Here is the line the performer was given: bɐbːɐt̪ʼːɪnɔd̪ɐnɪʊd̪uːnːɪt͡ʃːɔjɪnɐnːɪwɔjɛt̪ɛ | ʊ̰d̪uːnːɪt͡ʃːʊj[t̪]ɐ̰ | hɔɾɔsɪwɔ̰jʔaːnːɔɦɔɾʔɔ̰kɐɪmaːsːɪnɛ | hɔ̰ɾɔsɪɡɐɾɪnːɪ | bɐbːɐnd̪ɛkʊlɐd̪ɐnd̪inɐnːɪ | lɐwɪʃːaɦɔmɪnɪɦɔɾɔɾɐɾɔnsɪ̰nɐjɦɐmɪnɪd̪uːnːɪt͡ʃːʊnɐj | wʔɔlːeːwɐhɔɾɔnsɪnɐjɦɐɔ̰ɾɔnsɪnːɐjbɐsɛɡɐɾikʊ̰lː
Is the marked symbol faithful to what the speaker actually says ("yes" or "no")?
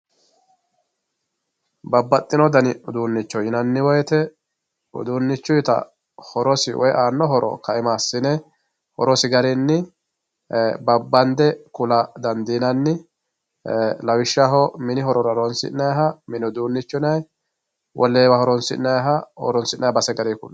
yes